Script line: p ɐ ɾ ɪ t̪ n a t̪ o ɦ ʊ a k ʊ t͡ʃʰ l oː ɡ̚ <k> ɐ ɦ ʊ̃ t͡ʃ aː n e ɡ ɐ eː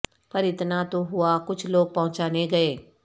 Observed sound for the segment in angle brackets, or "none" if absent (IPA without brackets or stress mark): p